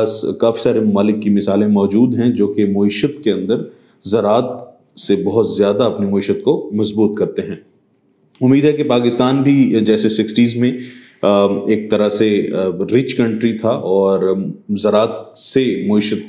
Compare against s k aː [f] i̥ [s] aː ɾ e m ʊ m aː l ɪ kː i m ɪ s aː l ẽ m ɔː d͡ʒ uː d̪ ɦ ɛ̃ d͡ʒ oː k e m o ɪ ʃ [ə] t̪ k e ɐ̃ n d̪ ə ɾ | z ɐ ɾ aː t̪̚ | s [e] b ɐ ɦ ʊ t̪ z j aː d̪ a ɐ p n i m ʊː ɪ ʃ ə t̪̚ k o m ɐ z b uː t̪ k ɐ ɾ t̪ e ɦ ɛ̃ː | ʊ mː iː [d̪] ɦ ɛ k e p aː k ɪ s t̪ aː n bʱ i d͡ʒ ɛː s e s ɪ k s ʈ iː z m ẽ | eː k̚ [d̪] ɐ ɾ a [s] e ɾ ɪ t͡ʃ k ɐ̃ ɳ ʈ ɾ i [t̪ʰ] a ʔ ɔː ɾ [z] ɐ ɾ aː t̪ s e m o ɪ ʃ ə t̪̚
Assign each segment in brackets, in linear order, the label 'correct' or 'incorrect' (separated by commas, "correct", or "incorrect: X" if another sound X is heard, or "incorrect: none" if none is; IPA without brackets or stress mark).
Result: correct, correct, correct, correct, correct, incorrect: t̪, correct, correct, correct